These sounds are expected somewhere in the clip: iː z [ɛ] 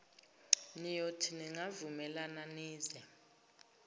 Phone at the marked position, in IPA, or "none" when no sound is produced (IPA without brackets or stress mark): ɛ